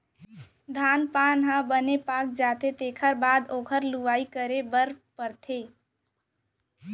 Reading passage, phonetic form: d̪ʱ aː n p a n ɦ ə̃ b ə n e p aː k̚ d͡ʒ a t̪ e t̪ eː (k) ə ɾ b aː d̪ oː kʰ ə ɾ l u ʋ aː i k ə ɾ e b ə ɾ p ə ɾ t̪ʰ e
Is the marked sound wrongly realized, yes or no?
yes